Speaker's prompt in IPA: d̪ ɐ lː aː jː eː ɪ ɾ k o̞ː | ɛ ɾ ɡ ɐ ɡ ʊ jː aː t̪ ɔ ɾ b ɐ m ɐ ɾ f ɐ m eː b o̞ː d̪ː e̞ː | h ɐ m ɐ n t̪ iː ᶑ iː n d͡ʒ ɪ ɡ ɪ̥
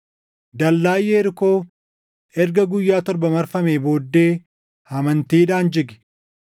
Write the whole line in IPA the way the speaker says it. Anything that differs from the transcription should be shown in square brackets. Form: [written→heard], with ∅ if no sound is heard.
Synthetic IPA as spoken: d̪ ɐ lː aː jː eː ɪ ɾ k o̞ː | ɛ ɾ ɡ ɐ ɡ ʊ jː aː t̪ ɔ ɾ b ɐ m ɐ ɾ f ɐ m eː b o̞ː d̪ː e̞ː | h ɐ m ɐ n t̪ iː ᶑ [iː→aː] n d͡ʒ ɪ ɡ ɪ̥